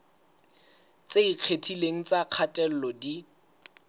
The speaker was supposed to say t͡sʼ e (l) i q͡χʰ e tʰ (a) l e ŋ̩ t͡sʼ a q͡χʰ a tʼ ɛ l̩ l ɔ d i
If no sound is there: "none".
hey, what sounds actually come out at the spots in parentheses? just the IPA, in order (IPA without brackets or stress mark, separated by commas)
none, i